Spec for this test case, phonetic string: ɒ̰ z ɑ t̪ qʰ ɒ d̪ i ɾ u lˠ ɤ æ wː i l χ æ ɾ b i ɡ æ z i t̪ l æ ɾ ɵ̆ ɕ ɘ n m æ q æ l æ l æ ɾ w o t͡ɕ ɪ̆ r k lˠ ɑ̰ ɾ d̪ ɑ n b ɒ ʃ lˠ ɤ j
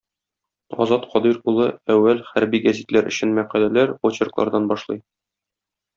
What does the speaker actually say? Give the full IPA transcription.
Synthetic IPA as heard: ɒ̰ z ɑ t̪ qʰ ɒ d̪ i ɾ u lˠ ɤ æ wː æ l χ æ ɾ b i ɡ æ z i t̪ l æ ɾ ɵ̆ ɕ ɘ n m æ q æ l æ l æ ɾ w o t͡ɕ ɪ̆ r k lˠ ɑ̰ ɾ d̪ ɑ n b ɒ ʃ lˠ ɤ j